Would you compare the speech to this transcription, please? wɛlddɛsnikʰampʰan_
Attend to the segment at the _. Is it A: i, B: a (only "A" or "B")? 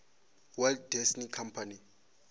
A